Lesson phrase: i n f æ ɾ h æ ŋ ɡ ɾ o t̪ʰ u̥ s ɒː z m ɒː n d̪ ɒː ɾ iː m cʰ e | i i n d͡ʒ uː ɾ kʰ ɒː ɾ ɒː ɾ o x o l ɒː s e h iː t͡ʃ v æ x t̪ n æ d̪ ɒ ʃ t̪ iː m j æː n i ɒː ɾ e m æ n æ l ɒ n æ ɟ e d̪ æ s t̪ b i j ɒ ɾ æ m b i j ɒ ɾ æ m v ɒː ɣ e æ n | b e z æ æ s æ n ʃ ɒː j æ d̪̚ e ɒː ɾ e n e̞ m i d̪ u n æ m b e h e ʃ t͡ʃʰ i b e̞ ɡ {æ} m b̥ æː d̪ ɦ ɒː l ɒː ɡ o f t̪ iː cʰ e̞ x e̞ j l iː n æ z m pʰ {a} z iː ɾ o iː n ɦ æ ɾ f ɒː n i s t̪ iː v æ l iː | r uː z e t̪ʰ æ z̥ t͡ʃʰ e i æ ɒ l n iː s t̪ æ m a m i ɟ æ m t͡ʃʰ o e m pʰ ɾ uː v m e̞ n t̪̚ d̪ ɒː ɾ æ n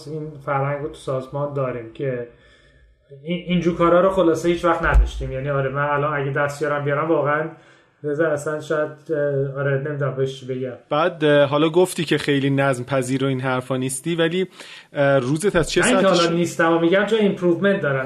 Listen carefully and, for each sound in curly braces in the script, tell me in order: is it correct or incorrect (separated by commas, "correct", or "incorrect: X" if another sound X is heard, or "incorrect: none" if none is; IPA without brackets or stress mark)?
correct, incorrect: æ